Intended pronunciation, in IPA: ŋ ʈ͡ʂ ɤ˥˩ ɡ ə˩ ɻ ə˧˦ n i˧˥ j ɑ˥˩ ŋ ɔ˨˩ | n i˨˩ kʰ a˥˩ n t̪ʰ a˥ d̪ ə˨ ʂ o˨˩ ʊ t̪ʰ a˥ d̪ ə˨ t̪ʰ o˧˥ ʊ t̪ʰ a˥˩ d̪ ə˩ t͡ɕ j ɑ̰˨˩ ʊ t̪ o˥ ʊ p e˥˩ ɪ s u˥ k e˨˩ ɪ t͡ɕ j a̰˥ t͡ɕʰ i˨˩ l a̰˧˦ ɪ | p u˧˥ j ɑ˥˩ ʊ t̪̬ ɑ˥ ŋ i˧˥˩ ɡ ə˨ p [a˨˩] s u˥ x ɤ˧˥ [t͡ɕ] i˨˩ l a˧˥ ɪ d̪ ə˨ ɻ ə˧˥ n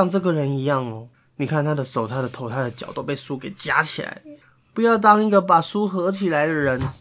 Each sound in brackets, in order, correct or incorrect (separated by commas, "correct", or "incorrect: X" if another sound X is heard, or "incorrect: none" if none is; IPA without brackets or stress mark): correct, incorrect: t͡ɕʰ